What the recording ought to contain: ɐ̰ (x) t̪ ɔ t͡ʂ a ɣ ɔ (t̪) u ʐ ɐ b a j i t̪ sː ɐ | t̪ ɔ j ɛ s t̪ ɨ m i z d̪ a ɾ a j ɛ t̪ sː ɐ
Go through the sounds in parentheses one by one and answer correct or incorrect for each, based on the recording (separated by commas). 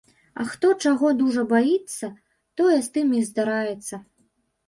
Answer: correct, incorrect